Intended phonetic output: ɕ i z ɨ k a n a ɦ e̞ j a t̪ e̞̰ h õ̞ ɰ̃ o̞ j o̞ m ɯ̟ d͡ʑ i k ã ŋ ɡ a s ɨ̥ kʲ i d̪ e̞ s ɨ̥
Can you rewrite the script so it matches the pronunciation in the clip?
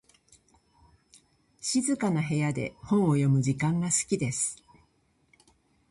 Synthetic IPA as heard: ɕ i z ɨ k a n a ɦ e̞ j a d̪ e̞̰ h õ̞ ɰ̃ o̞ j o̞ m ɯ̟ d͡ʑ i k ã ŋ ɡ a s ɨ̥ kʲ i d̪ e̞ s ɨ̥